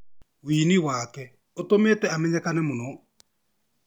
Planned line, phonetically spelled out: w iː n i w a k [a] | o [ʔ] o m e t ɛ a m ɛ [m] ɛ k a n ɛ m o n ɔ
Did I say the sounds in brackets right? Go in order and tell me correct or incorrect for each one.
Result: incorrect: ɛ, incorrect: t, incorrect: ɲ

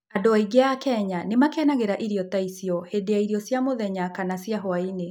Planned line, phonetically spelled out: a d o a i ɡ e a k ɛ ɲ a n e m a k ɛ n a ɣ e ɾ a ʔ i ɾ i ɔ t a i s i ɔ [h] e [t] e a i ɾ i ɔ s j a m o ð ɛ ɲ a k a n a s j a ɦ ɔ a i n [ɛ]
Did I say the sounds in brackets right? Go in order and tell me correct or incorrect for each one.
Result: correct, incorrect: d, incorrect: e

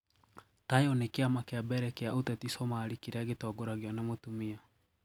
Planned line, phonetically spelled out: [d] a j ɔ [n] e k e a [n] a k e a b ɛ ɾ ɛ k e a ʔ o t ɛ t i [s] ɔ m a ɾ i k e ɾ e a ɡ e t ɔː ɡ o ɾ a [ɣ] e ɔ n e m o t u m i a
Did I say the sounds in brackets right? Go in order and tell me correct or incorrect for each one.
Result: incorrect: t, correct, incorrect: m, correct, correct

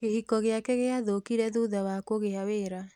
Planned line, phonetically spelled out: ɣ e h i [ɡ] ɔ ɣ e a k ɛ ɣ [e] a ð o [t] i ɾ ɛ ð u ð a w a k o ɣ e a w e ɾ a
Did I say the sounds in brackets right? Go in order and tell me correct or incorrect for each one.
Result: incorrect: k, correct, incorrect: k

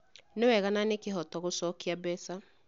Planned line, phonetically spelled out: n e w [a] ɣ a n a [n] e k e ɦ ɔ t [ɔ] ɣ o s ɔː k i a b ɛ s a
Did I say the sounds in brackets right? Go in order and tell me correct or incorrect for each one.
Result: incorrect: ɛ, correct, correct

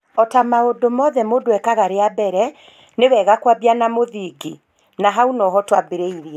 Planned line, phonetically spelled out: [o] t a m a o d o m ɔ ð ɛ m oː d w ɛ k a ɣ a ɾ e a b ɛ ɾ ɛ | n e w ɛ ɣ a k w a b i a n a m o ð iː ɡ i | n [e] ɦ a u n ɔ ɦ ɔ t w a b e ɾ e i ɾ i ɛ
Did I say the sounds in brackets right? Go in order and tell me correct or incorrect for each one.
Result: incorrect: ɔ, incorrect: a

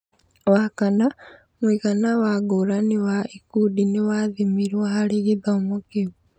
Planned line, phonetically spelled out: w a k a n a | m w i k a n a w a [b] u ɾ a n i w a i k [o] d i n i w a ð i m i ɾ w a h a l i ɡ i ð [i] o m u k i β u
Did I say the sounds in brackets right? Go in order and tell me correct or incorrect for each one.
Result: incorrect: ɡ, incorrect: u, incorrect: a

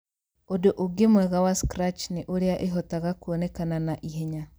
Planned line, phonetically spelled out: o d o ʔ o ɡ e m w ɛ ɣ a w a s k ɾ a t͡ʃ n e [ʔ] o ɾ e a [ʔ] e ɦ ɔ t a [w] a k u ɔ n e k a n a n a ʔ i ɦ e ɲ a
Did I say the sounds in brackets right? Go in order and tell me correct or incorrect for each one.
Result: correct, correct, incorrect: ɣ

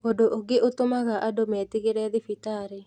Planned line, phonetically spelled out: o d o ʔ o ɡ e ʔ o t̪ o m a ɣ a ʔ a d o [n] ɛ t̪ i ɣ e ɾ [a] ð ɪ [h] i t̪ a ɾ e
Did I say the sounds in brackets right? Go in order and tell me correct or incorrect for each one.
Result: incorrect: m, incorrect: ɛ, incorrect: f

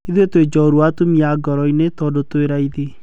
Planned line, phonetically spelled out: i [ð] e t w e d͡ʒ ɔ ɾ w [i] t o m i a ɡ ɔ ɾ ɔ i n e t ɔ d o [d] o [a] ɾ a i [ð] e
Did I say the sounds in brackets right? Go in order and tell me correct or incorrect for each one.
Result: correct, incorrect: a, incorrect: t, incorrect: e, correct

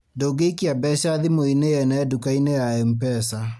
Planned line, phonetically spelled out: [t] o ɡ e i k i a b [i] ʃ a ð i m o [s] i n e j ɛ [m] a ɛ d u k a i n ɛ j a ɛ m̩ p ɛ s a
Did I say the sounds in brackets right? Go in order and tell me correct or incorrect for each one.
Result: incorrect: d, incorrect: ɛ, incorrect: none, incorrect: n

